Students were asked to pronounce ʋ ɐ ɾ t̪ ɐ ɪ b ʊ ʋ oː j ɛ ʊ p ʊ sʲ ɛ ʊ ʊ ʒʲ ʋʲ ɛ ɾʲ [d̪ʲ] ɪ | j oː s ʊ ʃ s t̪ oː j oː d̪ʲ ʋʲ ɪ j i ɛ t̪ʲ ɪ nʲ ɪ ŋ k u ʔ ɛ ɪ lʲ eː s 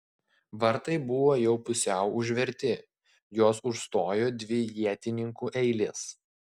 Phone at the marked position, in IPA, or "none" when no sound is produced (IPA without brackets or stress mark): t̪ʲ